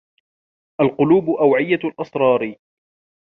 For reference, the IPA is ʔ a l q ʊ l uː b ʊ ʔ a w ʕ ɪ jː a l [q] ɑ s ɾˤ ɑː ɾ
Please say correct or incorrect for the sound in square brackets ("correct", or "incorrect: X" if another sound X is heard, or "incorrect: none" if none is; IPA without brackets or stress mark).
incorrect: ʔ